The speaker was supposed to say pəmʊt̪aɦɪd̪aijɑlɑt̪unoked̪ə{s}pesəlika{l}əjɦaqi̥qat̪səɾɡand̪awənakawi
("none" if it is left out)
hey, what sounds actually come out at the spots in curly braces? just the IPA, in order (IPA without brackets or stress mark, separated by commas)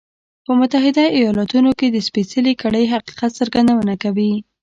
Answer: s, ɽ